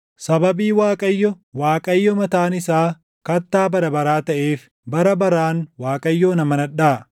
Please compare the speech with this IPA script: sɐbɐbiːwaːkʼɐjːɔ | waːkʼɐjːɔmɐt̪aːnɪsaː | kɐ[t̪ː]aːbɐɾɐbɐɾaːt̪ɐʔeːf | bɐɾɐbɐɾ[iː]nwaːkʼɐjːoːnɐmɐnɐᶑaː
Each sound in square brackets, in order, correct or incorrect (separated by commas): correct, incorrect